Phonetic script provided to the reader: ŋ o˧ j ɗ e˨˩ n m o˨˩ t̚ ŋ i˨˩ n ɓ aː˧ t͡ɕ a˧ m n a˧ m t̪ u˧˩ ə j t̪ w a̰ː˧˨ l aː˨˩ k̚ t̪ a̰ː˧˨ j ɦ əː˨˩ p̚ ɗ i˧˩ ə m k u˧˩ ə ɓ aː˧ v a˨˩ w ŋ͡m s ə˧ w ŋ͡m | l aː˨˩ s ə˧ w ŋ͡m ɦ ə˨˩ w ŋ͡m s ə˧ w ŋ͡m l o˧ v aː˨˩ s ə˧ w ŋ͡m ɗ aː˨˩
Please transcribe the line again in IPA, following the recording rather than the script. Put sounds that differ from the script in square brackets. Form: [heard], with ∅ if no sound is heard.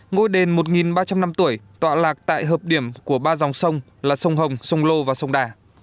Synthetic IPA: ŋ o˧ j ɗ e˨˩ n m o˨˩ t̚ ŋ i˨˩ n ɓ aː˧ t͡ɕ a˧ m n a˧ m t̪ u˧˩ ə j t̪ w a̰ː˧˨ l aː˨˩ k̚ t̪ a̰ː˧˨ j ɦ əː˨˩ p̚ ɗ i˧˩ ə m k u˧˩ ə ɓ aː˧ [z] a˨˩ w ŋ͡m s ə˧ w ŋ͡m | l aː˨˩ s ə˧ w ŋ͡m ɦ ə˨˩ w ŋ͡m s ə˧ w ŋ͡m l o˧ v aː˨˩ s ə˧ w ŋ͡m ɗ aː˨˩